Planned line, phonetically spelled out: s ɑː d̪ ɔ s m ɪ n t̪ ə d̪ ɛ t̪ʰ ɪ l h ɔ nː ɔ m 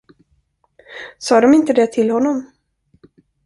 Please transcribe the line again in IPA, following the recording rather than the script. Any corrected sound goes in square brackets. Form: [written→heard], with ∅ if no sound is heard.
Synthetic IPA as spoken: s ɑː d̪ ɔ [s→∅] m ɪ n t̪ ə d̪ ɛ t̪ʰ ɪ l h ɔ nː ɔ m